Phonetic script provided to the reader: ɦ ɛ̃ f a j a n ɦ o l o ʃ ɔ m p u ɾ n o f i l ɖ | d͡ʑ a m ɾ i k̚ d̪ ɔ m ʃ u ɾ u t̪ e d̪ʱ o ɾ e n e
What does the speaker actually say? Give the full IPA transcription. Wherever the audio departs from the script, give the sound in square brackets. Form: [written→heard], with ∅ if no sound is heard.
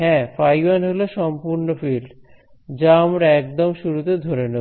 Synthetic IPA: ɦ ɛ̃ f a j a n ɦ o l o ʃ ɔ m p u ɾ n o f i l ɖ | d͡ʑ a m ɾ [i→ɛ] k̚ d̪ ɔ m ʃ u ɾ u t̪ e d̪ʱ o ɾ e n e